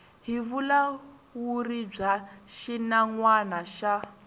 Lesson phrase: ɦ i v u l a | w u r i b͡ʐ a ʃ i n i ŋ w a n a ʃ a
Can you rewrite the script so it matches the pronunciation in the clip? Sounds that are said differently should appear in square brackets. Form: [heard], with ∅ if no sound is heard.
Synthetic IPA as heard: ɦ i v u l a | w u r i b͡ʐ a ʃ i n [a] ŋ w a n a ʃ a